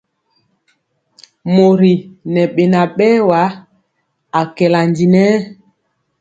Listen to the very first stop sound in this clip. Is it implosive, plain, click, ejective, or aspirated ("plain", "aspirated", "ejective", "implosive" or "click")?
implosive